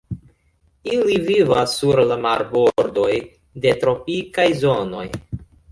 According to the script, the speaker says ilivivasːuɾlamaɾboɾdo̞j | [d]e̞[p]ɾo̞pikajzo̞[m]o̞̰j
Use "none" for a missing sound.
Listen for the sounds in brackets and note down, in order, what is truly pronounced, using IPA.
d, t, n

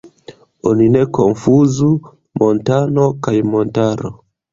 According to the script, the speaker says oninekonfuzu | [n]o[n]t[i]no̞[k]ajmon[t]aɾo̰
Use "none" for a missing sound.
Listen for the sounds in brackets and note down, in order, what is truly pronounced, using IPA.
m, n, a, k, t

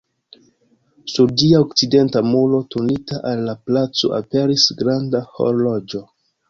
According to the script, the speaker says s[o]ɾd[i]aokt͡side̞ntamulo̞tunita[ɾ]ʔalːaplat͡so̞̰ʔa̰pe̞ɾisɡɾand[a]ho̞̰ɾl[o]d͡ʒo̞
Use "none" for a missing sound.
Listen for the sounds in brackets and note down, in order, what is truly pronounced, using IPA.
u, i, none, a, o

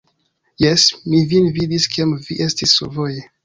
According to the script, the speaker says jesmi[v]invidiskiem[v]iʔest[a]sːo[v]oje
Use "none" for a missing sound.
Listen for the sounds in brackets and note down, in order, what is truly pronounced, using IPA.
v, v, i, v

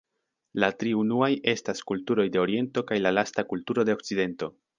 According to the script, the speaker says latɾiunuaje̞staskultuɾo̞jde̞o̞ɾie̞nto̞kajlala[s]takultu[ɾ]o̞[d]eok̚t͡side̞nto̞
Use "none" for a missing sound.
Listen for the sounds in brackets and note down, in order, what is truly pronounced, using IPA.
s, ɾ, d

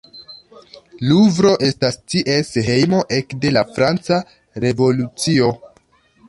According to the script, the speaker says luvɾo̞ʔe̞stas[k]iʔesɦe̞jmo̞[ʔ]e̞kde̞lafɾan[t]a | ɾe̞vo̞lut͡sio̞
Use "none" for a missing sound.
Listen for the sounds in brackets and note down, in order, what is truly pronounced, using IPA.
t, ʔ, t͡s

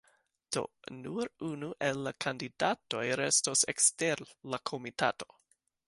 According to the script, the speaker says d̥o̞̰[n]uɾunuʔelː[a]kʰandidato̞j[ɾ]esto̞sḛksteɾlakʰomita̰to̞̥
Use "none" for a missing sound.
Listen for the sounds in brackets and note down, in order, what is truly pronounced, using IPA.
n, a, ɾ

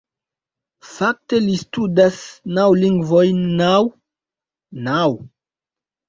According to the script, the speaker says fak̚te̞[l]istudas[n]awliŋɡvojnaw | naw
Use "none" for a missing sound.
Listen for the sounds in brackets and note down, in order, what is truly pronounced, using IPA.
l, n

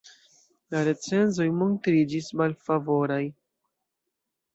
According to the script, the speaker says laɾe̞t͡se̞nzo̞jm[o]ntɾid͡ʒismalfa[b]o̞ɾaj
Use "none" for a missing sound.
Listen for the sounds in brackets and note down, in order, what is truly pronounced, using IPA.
o, v

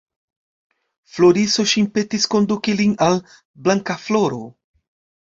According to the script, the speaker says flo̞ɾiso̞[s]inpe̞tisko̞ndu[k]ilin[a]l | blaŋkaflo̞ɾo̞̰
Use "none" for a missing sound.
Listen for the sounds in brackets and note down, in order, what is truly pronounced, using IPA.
ʃ, k, a

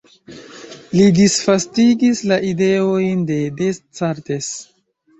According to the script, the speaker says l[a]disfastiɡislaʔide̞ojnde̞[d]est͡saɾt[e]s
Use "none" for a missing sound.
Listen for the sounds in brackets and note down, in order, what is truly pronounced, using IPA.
i, d, e

